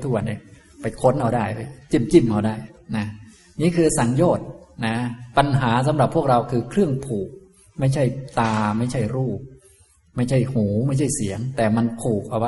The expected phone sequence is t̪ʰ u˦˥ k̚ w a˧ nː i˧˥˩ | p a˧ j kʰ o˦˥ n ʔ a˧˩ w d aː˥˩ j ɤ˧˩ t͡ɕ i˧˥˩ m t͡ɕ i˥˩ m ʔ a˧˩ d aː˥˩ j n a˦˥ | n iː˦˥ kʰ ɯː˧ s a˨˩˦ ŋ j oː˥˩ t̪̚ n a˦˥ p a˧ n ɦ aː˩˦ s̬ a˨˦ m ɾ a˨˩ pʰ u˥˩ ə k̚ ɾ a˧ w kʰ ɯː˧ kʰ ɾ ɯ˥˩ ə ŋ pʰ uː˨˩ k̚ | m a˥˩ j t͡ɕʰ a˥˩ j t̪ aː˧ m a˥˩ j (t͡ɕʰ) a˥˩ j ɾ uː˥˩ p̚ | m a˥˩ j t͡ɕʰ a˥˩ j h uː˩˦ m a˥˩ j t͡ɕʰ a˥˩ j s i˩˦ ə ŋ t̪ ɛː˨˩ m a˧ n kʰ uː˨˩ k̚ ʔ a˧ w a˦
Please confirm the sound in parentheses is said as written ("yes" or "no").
yes